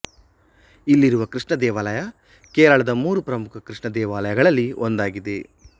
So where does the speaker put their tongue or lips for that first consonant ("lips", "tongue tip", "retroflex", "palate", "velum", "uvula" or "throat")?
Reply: tongue tip